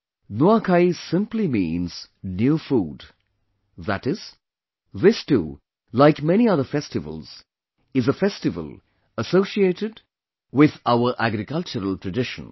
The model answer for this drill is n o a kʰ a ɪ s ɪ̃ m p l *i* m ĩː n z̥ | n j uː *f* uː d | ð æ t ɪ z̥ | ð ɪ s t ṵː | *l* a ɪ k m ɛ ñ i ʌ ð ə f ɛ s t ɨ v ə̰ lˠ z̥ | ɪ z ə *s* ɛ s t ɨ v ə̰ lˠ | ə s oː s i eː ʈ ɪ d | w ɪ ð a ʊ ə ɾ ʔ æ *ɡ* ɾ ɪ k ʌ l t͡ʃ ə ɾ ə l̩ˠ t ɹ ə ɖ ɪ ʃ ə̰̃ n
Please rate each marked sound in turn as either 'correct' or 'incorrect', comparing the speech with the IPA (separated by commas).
correct, correct, correct, incorrect, correct